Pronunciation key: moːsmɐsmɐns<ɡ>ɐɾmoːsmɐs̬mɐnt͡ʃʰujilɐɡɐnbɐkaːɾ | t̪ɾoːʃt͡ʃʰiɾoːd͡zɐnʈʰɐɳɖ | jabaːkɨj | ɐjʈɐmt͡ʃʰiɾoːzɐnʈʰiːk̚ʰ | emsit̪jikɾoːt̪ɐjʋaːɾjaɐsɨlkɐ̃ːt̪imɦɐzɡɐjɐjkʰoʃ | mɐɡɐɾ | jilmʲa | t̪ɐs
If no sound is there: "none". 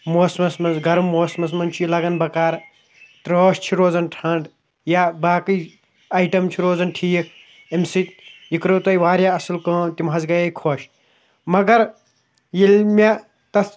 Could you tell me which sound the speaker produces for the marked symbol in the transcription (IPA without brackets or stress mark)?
ɡ